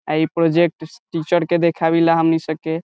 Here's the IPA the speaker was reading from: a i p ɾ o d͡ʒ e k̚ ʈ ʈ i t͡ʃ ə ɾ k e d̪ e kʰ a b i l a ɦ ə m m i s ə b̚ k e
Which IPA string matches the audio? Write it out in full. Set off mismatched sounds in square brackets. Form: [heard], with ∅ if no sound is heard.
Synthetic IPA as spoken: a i p ɾ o d͡ʒ e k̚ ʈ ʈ i t͡ʃ ə ɾ k e d̪ e kʰ a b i l a ɦ ə m [n] i s ə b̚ k e